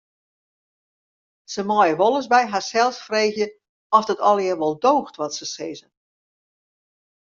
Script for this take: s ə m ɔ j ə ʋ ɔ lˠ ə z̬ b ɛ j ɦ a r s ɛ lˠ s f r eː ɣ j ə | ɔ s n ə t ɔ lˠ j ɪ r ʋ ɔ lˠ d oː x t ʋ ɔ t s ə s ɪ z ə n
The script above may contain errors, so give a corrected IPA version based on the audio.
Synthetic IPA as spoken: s ə m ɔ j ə ʋ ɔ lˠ ə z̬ b ɛ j ɦ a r s ɛ lˠ s f r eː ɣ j ə | ɔ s d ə t ɔ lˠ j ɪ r ʋ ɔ lˠ d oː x t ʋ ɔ t s ə s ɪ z ə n